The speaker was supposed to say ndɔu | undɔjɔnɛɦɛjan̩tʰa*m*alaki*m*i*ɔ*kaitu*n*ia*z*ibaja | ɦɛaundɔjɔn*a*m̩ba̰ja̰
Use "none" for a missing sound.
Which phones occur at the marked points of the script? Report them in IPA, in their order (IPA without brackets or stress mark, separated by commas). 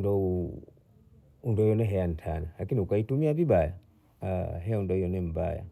n, n, u, m, v, ɛ